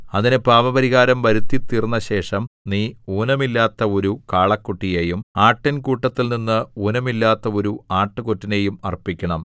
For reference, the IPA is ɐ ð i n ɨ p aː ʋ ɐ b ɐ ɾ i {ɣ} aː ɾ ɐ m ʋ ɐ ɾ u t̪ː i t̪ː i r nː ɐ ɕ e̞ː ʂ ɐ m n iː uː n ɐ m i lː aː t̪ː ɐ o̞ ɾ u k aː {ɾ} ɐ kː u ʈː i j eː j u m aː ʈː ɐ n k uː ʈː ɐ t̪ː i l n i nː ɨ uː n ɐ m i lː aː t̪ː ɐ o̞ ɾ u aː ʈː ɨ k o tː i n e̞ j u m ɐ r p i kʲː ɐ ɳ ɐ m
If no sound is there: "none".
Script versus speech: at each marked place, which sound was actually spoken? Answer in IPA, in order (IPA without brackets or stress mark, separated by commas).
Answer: ɣ, ɭ